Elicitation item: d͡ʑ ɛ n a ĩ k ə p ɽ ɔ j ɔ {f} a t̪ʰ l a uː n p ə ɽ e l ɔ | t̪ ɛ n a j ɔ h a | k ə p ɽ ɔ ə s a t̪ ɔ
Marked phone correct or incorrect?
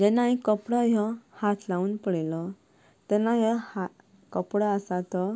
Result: incorrect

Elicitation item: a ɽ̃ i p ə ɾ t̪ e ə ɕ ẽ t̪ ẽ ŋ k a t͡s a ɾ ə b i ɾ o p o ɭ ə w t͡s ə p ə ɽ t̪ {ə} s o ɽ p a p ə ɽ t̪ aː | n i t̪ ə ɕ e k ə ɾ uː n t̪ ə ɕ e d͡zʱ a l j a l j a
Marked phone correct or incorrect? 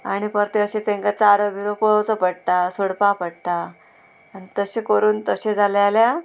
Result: incorrect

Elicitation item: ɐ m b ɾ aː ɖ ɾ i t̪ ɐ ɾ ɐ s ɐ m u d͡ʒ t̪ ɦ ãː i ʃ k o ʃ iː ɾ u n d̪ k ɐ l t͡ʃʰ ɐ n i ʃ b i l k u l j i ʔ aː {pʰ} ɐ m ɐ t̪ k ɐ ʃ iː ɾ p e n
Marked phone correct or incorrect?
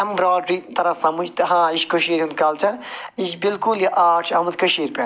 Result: incorrect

